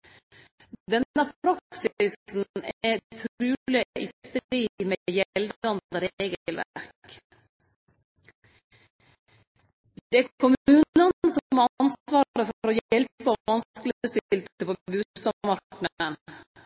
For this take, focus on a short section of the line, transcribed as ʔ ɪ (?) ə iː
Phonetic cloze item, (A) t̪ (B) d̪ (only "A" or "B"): A